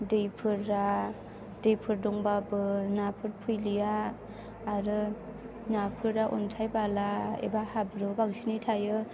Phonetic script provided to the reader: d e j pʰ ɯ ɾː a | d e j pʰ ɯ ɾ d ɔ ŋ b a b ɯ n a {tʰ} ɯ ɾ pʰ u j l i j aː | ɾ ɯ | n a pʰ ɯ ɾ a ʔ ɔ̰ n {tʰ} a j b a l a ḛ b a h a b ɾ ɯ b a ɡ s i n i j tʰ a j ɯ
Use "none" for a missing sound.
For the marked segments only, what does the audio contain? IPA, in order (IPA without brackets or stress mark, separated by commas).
pʰ, tʰ